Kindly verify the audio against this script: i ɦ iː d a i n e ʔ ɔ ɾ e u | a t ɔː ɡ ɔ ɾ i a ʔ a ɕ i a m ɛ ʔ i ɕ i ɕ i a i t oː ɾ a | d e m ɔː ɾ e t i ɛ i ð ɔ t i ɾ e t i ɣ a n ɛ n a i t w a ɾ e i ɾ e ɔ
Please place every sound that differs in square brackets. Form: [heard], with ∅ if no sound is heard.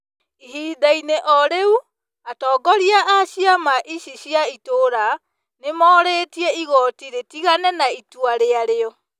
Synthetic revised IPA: i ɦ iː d a i n e ʔ ɔ ɾ e u | a t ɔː ɡ ɔ ɾ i a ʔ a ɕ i a m [a] ʔ i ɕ i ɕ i a i t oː ɾ a | [n] e m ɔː ɾ e t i ɛ i [ɣ] ɔ t i ɾ e t i ɣ a n ɛ n a i t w a ɾ e [a] ɾ e ɔ